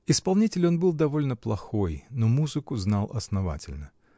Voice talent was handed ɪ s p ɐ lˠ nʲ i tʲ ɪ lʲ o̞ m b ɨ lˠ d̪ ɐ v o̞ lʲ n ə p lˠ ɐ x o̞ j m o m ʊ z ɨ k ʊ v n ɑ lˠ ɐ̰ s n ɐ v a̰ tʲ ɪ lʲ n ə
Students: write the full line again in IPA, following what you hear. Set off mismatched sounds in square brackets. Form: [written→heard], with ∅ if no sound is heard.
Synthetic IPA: ɪ s p ɐ lˠ nʲ i tʲ ɪ lʲ o̞ [m→n] b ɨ lˠ d̪ ɐ v o̞ lʲ n ə p lˠ ɐ x o̞ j [m→n] o m [ʊ→u] z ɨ k ʊ [v→z] n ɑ lˠ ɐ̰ s n ɐ v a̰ tʲ ɪ lʲ n ə